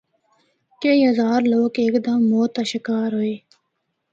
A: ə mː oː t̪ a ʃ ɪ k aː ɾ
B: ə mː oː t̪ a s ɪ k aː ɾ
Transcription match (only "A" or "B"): A